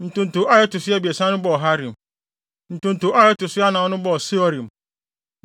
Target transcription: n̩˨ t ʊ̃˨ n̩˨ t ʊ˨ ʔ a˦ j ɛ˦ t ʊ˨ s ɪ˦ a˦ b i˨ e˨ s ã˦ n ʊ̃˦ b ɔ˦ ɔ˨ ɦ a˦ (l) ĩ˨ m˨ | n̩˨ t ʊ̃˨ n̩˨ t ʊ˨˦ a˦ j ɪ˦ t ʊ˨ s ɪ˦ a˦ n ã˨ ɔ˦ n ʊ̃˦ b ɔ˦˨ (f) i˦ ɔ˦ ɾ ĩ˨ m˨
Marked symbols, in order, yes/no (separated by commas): no, no